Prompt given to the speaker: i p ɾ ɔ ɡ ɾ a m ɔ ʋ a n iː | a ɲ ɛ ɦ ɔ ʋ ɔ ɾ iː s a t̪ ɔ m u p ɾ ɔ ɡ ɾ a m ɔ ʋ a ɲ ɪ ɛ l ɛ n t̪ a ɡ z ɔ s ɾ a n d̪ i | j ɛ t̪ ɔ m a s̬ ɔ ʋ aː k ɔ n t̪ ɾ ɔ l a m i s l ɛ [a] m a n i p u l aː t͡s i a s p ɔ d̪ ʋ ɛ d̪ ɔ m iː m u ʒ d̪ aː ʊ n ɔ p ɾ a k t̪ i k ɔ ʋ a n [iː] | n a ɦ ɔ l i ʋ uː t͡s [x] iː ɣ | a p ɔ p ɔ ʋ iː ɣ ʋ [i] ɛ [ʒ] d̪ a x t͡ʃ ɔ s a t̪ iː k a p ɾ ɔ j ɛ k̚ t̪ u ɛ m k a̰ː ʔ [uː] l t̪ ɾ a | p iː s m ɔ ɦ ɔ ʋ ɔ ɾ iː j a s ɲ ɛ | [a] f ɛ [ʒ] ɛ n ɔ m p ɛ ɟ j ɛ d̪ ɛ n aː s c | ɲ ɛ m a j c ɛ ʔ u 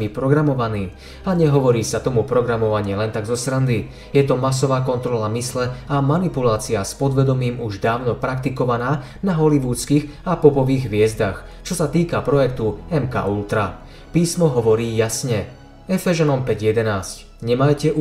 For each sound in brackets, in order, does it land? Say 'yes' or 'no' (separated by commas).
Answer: yes, no, no, no, no, no, no, yes